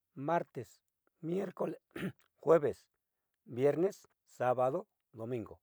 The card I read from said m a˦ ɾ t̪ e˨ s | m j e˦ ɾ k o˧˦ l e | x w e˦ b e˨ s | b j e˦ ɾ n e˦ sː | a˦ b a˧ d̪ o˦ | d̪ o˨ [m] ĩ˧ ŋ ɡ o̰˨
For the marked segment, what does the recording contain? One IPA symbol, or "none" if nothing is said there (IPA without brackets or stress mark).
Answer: m